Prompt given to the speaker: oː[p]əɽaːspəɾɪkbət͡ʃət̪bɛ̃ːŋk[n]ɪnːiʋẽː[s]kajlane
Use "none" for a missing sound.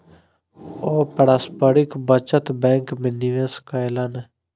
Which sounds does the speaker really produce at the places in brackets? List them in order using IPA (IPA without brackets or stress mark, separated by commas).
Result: p, m, s